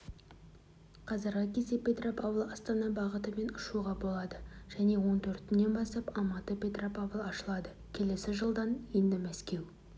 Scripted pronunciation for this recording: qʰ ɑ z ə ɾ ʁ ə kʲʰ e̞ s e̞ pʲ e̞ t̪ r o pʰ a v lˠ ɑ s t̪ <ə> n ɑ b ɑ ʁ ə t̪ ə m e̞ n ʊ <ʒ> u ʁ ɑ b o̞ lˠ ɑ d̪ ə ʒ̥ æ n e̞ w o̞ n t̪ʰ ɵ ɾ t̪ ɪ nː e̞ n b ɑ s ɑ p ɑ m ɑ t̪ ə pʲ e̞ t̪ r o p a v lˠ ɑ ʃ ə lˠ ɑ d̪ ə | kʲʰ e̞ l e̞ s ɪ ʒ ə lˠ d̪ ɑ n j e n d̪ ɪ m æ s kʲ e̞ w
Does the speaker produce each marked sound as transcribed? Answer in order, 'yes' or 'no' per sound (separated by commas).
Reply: no, no